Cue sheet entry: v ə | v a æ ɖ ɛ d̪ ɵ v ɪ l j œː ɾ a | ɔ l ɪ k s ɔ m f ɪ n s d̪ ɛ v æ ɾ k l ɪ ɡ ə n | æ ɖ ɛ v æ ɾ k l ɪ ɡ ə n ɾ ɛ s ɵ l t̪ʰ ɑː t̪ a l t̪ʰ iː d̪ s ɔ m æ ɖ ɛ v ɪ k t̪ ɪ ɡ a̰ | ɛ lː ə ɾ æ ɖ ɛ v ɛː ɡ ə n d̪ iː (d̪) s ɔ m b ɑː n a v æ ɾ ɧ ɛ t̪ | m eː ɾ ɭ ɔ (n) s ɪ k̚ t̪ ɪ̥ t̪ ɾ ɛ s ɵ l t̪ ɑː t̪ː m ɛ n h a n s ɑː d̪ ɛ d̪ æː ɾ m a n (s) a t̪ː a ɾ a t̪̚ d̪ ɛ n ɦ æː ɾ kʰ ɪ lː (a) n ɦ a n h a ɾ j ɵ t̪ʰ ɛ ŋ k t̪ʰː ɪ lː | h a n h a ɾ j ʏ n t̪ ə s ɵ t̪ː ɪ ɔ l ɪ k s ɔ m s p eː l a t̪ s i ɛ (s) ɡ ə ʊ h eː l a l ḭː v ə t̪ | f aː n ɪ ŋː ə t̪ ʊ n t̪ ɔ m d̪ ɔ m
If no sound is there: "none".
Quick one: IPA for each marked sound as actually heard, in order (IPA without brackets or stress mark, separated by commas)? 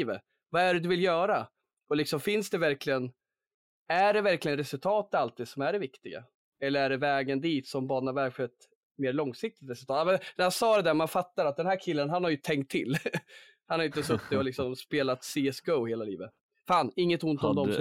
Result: t̪, ŋ, f, ə, s